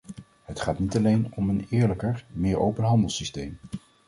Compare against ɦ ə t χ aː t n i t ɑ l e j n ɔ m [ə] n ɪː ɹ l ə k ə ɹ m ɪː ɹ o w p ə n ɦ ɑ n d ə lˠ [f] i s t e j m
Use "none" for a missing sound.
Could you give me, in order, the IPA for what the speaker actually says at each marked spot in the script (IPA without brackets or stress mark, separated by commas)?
ə, s